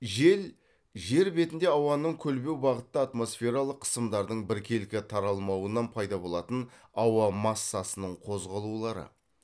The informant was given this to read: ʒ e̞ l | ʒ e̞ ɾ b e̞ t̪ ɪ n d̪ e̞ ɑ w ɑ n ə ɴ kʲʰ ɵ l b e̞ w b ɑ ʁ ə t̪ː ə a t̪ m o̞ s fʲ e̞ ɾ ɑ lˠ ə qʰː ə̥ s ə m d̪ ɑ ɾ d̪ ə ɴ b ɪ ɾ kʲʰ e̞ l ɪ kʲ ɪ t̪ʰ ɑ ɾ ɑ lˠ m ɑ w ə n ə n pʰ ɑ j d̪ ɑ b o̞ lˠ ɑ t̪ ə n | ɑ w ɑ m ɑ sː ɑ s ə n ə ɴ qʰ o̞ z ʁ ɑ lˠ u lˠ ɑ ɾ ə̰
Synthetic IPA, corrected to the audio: ʒ e̞ l | ʒ e̞ ɾ b e̞ t̪ ɪ n d̪ e̞ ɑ w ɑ n ə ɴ kʲʰ ɵ l b e̞ w b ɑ ʁ ə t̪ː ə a t̪ m o̞ s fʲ e̞ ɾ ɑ lˠ ə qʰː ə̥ s ə m d̪ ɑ ɾ d̪ ə ɴ b ɪ ɾ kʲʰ e̞ l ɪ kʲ ɪ t̪ʰ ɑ ɾ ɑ lˠ m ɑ w ə n ɑ n pʰ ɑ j d̪ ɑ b o̞ lˠ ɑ t̪ ə n | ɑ w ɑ m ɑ sː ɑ s ə n ə ɴ qʰ o̞ z ʁ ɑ lˠ u lˠ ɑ ɾ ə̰